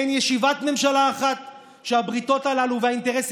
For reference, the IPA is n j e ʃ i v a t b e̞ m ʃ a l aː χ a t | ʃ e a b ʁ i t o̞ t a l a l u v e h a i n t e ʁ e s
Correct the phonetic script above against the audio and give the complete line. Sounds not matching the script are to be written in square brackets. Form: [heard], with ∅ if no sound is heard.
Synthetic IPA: n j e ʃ i v a t [m] e̞ m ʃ a l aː χ a t | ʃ e a b ʁ i t o̞ t a l a l u v e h a i n t e ʁ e s